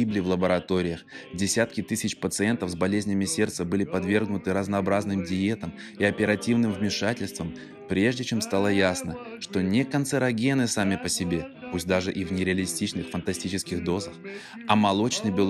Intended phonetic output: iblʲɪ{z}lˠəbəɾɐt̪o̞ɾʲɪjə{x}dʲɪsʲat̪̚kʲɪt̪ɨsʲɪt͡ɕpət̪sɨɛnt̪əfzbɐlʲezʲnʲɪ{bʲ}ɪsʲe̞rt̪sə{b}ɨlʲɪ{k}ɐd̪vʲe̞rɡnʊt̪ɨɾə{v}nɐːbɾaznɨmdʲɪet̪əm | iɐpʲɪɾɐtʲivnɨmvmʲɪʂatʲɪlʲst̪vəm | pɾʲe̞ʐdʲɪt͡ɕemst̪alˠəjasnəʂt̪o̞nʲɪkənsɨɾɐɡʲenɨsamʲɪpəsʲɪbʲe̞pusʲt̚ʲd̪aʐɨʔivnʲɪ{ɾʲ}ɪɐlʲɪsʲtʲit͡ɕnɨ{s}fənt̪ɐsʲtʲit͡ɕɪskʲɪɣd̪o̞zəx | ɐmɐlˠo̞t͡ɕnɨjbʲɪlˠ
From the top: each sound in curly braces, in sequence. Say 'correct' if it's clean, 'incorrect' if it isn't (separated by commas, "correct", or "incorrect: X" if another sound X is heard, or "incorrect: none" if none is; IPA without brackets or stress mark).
incorrect: v, correct, incorrect: mʲ, correct, incorrect: p, incorrect: z, correct, incorrect: x